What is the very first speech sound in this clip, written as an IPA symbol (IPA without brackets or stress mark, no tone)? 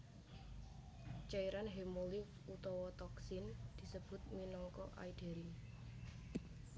t͡ʃ